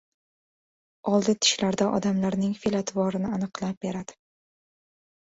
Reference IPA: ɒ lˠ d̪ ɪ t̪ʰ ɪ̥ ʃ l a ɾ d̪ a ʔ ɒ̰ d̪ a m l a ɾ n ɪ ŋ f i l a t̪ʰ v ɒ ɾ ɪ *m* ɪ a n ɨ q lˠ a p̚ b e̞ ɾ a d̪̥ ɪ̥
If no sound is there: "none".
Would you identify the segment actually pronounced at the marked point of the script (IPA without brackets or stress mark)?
n